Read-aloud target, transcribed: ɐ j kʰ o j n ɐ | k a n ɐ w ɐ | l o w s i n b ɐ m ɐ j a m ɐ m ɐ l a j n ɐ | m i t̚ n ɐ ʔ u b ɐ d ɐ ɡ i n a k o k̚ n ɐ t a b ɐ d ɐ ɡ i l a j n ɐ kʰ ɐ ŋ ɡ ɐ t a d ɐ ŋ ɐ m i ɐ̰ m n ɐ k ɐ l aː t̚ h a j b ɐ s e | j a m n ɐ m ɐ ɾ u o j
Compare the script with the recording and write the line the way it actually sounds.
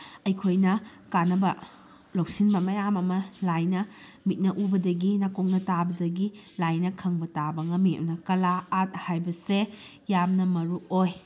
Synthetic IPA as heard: ɐ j kʰ o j n ɐ | k a n ɐ b ɐ | l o w s i n b ɐ m ɐ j a m ɐ m ɐ l a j n ɐ | m i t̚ n ɐ ʔ u b ɐ d ɐ ɡ i n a k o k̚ n ɐ t a b ɐ d ɐ ɡ i l a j n ɐ kʰ ɐ ŋ b ɐ t a b ɐ ŋ ɐ m i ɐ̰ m n ɐ k ɐ l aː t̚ h a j b ɐ s e | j a m n ɐ m ɐ ɾ u o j